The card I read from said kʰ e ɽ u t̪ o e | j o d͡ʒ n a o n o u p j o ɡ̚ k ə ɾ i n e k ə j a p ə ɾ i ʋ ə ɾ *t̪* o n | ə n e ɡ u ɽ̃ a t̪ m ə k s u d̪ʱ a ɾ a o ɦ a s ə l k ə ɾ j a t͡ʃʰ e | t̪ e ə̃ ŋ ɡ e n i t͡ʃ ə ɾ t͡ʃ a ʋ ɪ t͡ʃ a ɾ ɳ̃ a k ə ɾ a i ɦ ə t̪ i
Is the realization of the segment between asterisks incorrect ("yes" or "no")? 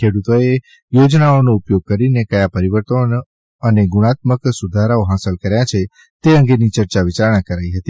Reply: no